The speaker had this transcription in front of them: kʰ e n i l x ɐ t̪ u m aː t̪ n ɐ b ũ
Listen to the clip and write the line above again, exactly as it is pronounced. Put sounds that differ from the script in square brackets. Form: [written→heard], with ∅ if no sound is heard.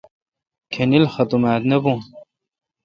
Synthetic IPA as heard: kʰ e n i l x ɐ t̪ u m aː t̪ n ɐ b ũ